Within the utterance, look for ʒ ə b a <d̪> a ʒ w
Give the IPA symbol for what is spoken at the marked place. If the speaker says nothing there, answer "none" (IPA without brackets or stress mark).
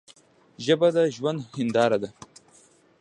d̪